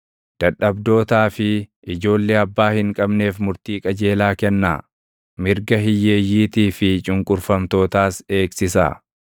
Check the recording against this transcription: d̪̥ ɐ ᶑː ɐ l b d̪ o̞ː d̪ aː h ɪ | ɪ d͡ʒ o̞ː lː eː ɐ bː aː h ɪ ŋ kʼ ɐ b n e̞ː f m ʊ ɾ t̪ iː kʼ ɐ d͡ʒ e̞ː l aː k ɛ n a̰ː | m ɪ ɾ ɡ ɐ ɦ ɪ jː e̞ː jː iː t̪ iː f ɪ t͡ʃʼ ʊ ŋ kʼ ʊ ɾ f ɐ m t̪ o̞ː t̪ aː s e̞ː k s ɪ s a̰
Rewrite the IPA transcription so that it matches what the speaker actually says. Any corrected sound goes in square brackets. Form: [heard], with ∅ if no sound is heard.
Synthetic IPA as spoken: d̪̥ ɐ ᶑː ɐ [∅] b d̪ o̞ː [t̪] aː [f] ɪ | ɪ d͡ʒ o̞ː lː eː ɐ bː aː h ɪ ŋ kʼ ɐ b n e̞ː f m ʊ ɾ t̪ iː kʼ ɐ d͡ʒ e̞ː l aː k ɛ [nː] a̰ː | m ɪ ɾ ɡ ɐ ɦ ɪ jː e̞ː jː iː t̪ iː f ɪ t͡ʃʼ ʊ ŋ kʼ ʊ ɾ f ɐ m t̪ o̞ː t̪ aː s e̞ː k s ɪ s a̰